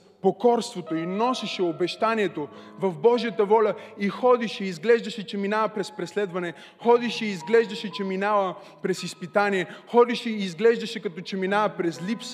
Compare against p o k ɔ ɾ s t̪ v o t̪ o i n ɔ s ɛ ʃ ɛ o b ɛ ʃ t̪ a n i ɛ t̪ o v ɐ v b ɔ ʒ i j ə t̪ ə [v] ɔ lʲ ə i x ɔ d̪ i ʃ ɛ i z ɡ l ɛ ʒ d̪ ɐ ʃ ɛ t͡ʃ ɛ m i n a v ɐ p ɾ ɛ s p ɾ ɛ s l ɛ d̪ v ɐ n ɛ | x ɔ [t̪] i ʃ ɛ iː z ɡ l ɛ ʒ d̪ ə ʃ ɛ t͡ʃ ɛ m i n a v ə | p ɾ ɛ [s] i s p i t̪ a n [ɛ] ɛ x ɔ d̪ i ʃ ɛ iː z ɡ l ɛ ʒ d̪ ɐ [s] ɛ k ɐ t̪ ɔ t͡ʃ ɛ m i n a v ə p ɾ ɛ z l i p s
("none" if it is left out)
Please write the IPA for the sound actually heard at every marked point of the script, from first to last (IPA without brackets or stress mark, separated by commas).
v, d̪, s, i, ʃ